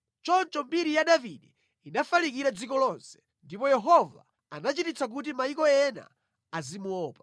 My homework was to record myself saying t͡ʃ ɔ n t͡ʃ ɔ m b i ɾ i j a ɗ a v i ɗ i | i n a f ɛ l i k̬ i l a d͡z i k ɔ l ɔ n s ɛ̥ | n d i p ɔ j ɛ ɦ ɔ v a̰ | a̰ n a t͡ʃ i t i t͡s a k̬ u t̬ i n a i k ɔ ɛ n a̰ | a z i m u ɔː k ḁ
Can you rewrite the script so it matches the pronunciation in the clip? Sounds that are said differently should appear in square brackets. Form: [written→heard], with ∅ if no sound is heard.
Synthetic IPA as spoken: t͡ʃ ɔ n t͡ʃ ɔ m b i ɾ i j a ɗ a v i ɗ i | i n a f [ɛ→a] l i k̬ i [l→ɾ] a d͡z i k ɔ l ɔ n s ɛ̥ | n d i p ɔ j ɛ ɦ ɔ v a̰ | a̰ n a t͡ʃ i t i t͡s a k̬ u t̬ i [n→m] a i k ɔ ɛ n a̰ | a z i m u ɔː [k→p] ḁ